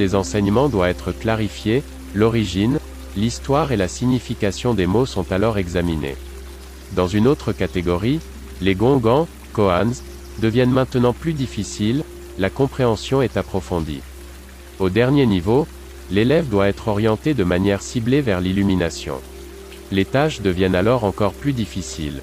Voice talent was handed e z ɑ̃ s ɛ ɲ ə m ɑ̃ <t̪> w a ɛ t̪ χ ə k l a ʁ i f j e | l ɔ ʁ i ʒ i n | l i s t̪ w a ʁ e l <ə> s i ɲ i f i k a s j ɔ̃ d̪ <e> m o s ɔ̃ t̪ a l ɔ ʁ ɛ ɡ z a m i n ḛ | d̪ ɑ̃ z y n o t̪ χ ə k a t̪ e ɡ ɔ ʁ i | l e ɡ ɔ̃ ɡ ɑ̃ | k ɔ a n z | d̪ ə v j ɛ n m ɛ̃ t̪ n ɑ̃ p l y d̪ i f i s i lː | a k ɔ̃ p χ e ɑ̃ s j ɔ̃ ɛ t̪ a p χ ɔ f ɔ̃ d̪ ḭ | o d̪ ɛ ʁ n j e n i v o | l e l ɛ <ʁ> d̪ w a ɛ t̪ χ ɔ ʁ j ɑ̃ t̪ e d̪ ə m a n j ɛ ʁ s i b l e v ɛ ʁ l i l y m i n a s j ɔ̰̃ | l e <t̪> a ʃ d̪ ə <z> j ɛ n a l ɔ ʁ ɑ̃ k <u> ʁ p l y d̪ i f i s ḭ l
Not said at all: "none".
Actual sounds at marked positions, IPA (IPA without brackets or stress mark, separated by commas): d̪, a, e, v, t̪, v, ɔ